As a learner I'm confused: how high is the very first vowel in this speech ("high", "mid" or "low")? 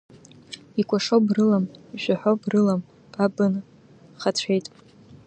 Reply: high